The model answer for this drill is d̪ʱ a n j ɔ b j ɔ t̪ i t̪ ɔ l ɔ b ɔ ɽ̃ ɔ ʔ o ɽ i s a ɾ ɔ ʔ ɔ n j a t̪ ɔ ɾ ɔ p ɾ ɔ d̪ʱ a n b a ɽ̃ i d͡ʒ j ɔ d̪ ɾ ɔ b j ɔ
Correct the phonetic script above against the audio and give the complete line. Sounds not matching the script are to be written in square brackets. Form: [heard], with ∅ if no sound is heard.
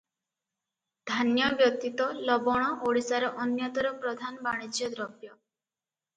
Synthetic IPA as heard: d̪ʱ a n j ɔ b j ɔ t̪ i t̪ ɔ l ɔ b ɔ ɽ̃ ɔ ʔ o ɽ i s a ɾ ɔ ʔ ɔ n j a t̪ ɔ ɾ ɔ p ɾ ɔ d̪ʱ a n b a ɽ̃ i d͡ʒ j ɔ d̪ ɾ ɔ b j ɔ